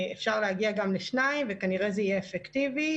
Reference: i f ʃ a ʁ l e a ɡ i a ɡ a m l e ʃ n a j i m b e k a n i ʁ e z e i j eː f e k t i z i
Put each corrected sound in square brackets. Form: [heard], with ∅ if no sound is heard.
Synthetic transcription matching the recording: [e] f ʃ a ʁ l e a ɡ i a ɡ a m l e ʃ n a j i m [v] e k a n i ʁ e z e i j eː f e k t i [v] i